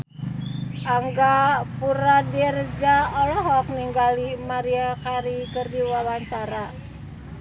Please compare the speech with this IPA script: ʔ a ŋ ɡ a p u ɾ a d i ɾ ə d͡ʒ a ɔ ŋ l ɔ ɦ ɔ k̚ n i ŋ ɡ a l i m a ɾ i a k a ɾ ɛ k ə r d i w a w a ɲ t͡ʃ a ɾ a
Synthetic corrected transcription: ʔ a ŋ ɡ a p u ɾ a d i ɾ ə d͡ʒ a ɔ l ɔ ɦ ɔ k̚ n i ŋ ɡ a l i m a ɾ i a k a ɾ i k ə r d i w a w a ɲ t͡ʃ a ɾ a